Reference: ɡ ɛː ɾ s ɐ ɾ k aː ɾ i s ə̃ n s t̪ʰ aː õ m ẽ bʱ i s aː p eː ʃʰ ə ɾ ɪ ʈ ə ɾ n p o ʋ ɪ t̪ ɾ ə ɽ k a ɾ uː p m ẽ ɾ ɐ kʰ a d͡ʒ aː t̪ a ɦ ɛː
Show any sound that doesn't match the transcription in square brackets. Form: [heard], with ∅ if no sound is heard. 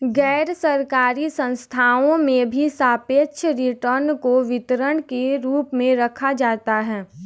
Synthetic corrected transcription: ɡ ɛː ɾ s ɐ ɾ k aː ɾ i s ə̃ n s t̪ʰ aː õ m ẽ bʱ i s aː p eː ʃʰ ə ɾ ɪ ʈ ə ɾ n [k] o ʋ ɪ t̪ ɾ ə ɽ k [e] ɾ uː p m ẽ ɾ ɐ kʰ a d͡ʒ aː t̪ a ɦ ɛː